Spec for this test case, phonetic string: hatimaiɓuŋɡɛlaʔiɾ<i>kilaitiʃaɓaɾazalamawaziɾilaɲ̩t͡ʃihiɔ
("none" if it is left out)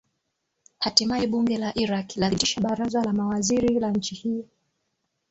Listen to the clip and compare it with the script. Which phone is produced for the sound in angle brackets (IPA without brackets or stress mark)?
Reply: a